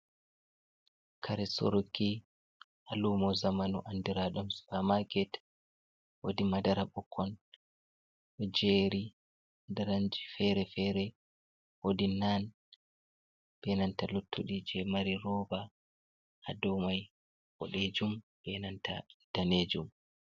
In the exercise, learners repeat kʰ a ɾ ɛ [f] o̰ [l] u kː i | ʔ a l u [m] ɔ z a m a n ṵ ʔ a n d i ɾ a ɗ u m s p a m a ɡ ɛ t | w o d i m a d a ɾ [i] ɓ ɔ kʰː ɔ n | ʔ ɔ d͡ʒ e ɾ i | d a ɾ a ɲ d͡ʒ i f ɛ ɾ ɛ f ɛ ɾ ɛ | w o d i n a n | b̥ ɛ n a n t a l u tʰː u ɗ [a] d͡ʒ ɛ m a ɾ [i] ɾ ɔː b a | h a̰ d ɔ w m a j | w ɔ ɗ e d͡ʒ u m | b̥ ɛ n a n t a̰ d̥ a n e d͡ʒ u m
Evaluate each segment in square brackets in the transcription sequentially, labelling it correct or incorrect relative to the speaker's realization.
incorrect, incorrect, correct, incorrect, incorrect, correct

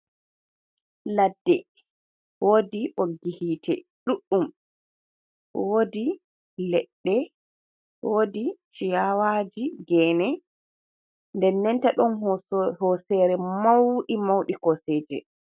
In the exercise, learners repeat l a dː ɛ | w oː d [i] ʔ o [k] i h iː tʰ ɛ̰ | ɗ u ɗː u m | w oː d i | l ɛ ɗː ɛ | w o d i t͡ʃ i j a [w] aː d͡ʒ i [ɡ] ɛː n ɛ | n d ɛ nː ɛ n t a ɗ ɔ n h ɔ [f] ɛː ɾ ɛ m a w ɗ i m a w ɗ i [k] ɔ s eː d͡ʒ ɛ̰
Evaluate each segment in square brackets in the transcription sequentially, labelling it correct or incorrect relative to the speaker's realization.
correct, incorrect, correct, correct, incorrect, correct

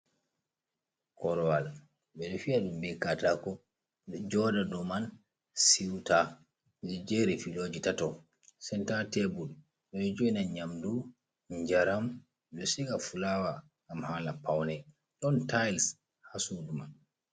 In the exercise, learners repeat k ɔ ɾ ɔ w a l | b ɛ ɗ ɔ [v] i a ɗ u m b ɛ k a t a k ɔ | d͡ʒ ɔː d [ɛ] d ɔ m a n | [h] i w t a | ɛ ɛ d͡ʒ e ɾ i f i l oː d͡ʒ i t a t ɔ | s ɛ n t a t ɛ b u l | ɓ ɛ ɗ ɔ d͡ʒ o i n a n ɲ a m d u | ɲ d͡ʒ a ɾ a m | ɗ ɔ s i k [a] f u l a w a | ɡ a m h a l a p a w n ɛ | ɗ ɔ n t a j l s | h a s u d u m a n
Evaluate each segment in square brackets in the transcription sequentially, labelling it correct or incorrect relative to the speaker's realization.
incorrect, incorrect, incorrect, correct

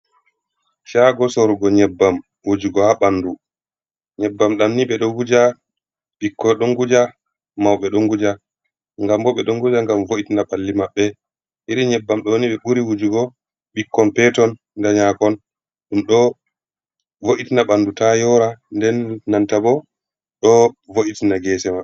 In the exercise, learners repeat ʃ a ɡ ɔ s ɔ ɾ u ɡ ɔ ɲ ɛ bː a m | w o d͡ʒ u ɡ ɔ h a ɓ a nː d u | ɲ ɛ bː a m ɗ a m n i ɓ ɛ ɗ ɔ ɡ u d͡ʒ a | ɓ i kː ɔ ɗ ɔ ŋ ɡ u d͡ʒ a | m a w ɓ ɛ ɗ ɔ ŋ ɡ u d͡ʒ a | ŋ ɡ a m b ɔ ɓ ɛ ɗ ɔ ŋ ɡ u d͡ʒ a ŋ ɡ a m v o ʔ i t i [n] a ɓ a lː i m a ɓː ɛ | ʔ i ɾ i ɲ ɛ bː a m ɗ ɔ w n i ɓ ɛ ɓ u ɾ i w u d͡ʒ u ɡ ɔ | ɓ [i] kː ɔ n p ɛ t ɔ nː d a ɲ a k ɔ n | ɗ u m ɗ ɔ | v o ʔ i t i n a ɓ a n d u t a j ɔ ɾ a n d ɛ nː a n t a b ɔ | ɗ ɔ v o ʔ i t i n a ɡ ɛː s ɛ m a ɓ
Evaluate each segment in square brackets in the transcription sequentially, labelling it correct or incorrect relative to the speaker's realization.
correct, correct

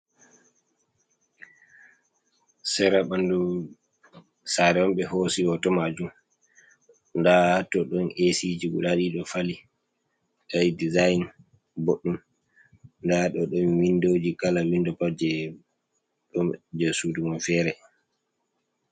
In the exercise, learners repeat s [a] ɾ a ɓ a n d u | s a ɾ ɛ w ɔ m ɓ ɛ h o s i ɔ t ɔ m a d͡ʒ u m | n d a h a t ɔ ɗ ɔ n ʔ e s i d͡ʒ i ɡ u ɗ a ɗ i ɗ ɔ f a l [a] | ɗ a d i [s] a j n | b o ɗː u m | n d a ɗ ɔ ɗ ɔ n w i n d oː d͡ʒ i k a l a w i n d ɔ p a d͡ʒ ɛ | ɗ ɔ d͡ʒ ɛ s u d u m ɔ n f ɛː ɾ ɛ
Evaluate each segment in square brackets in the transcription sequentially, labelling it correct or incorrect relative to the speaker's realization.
incorrect, incorrect, incorrect

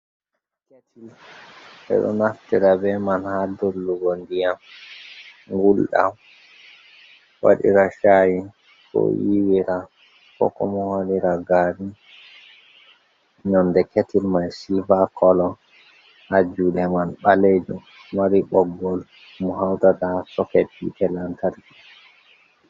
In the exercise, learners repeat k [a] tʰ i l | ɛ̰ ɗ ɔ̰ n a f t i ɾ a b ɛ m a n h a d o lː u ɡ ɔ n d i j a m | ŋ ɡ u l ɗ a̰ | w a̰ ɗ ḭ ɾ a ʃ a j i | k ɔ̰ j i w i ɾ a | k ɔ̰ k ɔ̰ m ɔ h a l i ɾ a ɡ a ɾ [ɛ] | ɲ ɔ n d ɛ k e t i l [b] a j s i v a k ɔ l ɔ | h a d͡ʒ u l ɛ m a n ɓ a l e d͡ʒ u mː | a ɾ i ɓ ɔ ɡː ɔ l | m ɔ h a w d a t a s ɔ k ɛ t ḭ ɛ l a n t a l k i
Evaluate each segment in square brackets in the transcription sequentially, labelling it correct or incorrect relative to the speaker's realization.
incorrect, incorrect, incorrect

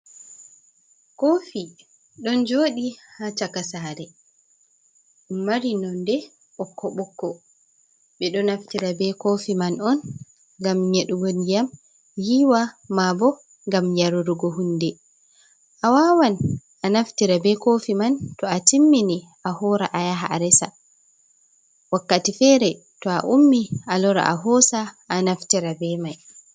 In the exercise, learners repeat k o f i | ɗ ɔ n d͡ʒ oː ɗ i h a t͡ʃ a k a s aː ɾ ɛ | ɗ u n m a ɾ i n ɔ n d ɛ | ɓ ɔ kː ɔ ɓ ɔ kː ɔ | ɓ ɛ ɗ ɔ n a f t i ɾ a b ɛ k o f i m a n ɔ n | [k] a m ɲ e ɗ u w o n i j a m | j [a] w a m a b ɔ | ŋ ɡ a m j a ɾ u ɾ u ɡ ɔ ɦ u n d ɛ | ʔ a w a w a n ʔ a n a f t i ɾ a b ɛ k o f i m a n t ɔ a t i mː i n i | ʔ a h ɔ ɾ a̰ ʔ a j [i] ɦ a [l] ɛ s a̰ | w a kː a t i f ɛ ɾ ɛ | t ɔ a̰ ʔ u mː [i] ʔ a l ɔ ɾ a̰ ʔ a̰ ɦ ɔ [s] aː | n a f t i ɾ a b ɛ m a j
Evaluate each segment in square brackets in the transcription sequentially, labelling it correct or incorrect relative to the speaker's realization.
incorrect, incorrect, incorrect, incorrect, correct, correct

